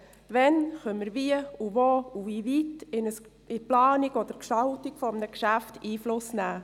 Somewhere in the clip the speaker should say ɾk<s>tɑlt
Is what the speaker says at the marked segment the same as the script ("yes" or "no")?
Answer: no